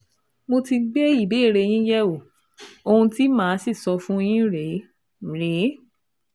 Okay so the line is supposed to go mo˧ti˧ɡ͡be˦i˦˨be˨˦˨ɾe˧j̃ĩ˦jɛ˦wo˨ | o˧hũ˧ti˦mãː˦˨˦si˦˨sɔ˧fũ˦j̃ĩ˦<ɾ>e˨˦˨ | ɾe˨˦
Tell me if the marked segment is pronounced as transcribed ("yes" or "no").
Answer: yes